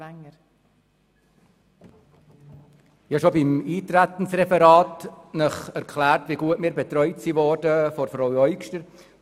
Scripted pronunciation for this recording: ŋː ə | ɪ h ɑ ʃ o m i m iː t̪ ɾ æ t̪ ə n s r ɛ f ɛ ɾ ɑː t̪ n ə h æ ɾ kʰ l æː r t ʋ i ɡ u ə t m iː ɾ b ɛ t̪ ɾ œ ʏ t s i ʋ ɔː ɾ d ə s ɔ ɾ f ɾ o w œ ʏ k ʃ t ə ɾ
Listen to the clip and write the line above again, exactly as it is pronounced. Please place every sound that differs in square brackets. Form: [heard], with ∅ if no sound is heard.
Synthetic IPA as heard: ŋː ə | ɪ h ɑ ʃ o [b] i m iː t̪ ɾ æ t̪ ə n s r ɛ f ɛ ɾ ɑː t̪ n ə [χ] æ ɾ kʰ l æː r t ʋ i ɡ u ə t m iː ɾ b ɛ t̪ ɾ œ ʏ t s i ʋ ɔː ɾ d ə [f] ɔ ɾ f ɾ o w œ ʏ k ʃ t ə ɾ